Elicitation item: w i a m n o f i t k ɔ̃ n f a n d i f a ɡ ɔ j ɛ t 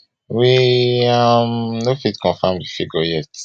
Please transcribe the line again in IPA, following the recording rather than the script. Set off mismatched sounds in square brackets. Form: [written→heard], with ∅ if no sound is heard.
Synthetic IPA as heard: w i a m n o f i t k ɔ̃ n f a [n→m] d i f [a→i] ɡ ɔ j ɛ t